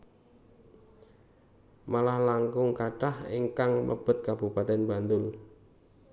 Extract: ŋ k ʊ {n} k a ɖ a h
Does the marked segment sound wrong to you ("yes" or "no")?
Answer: yes